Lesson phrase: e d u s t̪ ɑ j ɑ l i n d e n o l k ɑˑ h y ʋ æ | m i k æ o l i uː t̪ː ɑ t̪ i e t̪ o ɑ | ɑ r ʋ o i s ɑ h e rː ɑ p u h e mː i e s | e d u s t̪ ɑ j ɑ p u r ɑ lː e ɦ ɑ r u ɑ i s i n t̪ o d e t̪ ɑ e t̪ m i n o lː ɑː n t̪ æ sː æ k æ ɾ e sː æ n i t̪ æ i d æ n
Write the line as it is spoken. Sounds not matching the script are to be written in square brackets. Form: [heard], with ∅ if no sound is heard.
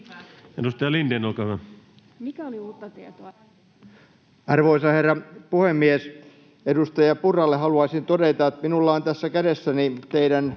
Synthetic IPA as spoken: e d u s t̪ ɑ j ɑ l i n d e n o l k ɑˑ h y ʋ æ | m i k æ o l i uː t̪ː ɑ t̪ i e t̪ o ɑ | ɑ r ʋ o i s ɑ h e rː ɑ p u h e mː i e s | e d u s t̪ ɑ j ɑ p u r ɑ lː e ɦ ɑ [l] u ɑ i s i n t̪ o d e t̪ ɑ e t̪ m i n [u] lː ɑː n t̪ æ sː æ k æ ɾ e sː æ n i t̪ [e] i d æ n